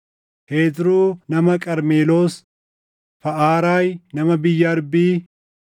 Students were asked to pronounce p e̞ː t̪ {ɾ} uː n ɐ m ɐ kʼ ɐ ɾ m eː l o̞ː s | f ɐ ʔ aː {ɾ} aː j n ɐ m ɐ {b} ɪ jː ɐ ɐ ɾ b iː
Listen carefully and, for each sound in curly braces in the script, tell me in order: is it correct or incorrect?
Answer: correct, correct, correct

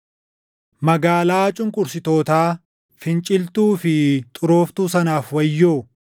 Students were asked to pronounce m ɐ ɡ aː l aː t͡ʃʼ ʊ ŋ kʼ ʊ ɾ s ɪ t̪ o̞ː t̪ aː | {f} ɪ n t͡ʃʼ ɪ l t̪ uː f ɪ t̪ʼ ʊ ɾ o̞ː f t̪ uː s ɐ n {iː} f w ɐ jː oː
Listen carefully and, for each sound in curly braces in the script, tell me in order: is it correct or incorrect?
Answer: correct, incorrect

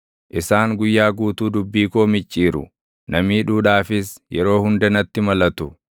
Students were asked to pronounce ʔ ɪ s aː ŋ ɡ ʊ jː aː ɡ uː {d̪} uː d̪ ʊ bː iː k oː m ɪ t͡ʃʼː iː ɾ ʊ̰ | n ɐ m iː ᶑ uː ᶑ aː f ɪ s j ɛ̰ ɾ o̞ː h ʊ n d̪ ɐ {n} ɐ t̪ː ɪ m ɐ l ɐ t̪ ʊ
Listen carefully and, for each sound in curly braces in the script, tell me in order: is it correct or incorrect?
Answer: incorrect, correct

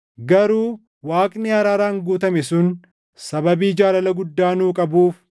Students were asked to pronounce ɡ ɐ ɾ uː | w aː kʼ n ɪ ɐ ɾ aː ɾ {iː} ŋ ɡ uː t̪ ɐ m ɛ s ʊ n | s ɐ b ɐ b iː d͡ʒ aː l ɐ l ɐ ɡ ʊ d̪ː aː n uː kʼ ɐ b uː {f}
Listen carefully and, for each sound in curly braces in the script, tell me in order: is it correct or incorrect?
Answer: incorrect, correct

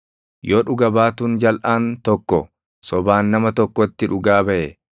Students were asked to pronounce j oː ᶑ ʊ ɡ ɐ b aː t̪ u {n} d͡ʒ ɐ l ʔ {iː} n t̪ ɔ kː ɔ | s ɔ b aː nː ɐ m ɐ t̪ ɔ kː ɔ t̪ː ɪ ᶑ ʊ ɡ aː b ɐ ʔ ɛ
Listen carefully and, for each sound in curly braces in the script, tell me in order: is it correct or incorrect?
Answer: correct, incorrect

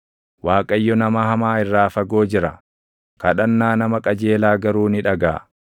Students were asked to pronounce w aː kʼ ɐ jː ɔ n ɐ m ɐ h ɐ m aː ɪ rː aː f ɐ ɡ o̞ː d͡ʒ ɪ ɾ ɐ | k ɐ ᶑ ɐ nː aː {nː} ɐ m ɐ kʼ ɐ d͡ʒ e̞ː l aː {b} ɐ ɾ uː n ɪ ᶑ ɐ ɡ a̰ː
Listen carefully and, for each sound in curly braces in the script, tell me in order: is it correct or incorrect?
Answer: incorrect, incorrect

